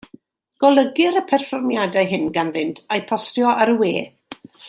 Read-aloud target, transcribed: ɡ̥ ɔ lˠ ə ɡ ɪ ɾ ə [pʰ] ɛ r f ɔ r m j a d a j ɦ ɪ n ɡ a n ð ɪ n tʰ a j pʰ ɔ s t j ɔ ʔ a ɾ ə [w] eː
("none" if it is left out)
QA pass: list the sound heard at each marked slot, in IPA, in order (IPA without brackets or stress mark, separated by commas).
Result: pʰ, w